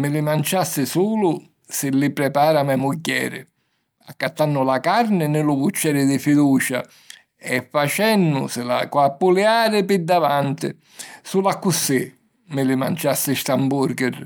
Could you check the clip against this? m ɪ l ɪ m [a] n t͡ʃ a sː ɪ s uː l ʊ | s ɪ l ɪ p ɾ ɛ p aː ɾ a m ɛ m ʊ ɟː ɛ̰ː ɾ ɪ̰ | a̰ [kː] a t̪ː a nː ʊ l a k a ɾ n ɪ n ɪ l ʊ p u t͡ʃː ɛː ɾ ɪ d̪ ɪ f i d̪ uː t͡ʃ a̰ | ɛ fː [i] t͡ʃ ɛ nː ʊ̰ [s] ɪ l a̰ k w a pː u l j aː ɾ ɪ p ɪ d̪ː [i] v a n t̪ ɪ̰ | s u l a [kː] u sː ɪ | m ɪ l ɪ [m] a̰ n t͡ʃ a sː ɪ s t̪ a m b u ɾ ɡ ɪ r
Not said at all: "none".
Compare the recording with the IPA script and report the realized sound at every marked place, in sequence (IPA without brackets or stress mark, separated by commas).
a, kː, a, s, a, kː, m